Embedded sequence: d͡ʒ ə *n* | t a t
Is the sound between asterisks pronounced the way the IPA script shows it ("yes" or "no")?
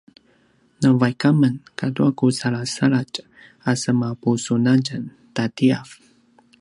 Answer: yes